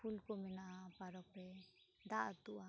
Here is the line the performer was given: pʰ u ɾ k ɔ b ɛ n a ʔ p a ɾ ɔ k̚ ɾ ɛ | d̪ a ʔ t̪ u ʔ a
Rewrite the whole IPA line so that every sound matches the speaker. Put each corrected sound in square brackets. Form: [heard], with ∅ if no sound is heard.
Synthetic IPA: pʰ u [l] k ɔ [m] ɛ n a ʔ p a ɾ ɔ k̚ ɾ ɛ | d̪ a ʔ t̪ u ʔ a